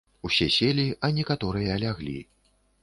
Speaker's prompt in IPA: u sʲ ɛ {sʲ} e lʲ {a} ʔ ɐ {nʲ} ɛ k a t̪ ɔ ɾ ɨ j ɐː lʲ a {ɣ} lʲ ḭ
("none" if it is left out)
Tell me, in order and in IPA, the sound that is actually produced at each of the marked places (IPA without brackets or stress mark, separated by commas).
sʲ, i, nʲ, ɣ